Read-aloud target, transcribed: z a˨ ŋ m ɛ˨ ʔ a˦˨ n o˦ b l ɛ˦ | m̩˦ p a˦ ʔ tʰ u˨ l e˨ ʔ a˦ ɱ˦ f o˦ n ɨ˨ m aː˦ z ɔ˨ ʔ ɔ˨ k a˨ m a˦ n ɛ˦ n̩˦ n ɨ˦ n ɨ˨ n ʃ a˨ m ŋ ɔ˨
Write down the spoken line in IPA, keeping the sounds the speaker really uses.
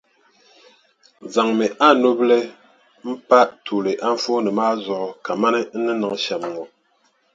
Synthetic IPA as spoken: z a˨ ŋ m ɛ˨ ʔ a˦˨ n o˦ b l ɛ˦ | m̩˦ p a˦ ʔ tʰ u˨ l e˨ ʔ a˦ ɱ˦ f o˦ n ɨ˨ m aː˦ z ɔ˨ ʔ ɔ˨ k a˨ m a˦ n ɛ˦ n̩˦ n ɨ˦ n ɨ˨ ŋ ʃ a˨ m ŋ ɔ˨